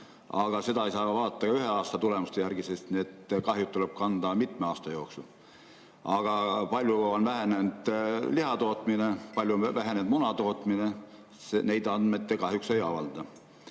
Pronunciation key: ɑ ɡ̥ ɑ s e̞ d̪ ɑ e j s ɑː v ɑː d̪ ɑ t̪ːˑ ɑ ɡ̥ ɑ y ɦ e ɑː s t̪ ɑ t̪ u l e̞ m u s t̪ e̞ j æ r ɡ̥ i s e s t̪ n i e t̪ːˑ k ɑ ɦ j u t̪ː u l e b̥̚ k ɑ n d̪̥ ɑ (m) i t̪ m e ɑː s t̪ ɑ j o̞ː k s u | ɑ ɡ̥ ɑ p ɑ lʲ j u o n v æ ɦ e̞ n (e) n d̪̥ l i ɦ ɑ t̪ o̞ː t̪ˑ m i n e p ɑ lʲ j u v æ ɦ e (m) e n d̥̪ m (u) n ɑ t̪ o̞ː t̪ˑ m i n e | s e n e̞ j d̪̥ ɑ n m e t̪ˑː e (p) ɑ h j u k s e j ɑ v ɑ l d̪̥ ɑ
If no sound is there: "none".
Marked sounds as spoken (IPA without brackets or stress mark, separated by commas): m, e, n, u, k